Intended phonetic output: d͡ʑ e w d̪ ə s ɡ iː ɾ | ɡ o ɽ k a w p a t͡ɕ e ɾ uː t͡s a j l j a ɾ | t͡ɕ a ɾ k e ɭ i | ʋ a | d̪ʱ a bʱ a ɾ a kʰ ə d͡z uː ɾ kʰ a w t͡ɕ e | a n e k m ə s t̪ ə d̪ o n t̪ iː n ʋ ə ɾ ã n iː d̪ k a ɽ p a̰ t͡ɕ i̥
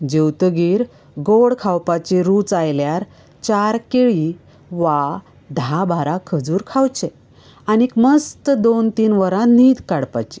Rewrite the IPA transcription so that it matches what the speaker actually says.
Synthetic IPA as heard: d͡ʑ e w t̪ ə ɡ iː ɾ | ɡ o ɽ kʰ a w p a t͡ɕ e ɾ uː t͡s a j l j a ɾ | t͡ɕ a ɾ k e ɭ i | ʋ a | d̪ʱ a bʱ a ɾ a kʰ ə d͡z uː ɾ kʰ a w t͡ɕ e | a n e k m ə s t̪ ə d̪ o n t̪ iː n ʋ ə ɾ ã n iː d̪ k a ɽ p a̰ t͡ɕ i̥